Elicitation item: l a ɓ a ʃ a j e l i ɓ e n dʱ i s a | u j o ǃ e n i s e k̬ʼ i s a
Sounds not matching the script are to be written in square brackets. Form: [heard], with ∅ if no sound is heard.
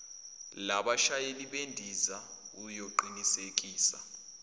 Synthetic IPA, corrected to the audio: l a ɓ a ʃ a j e l i ɓ e n dʱ i [z] a | u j o ǃ [i] n i s e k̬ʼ [iː] s a